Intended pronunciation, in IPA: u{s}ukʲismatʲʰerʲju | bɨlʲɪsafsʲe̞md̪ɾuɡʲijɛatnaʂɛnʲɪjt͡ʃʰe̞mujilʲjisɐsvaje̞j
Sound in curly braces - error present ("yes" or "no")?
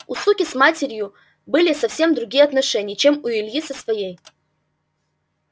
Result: no